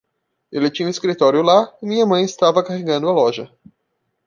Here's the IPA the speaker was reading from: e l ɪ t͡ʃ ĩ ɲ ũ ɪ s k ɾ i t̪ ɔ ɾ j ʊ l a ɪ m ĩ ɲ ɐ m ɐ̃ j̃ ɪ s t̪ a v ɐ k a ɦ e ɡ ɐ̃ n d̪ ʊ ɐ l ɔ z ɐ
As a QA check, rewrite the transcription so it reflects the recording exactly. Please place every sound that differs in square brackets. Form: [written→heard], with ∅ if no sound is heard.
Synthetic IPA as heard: e l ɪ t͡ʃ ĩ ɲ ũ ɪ s k ɾ i t̪ ɔ ɾ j ʊ l a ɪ m ĩ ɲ ɐ m ɐ̃ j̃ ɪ s t̪ a v ɐ k a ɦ e ɡ ɐ̃ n d̪ ʊ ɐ l ɔ [z→ʒ] ɐ